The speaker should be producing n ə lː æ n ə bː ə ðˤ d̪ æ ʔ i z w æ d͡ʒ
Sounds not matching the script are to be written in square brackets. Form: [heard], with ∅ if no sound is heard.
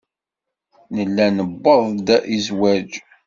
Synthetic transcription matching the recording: n ə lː æ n ə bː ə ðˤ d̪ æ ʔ i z w æ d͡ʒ